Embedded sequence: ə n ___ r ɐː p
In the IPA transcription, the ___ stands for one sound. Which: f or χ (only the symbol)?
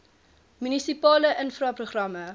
f